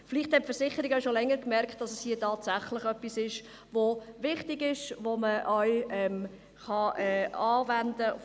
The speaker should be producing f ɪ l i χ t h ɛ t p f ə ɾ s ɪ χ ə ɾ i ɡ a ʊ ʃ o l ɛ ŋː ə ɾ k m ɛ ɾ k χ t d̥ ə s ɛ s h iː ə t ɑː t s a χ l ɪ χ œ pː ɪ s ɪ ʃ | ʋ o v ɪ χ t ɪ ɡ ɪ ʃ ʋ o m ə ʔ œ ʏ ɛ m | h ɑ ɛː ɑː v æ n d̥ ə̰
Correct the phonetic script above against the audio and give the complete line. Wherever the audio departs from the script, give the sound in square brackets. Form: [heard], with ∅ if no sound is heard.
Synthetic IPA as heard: f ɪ l i χ t h ɛ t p f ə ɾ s ɪ χ ə ɾ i ɡ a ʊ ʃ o l ɛ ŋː ə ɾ k m ɛ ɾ k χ t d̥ [ɑ] s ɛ s h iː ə t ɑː t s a χ l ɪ χ œ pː [i] s ɪ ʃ | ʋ o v ɪ χ t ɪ ɡ ɪ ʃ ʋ o m ə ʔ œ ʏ ɛ m | [χ] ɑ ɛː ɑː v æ n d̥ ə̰